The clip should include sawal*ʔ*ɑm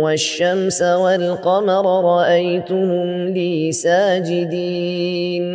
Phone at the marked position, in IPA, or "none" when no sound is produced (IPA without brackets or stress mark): q